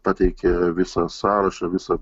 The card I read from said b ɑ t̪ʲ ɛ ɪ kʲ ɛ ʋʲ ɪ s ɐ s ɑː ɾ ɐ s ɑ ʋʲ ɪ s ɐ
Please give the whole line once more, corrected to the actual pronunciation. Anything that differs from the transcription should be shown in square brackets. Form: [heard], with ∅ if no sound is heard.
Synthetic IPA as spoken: [p] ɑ t̪ʲ ɛ ɪ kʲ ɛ ʋʲ ɪ s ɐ s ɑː ɾ ɐ [ʃ] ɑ ʋʲ ɪ s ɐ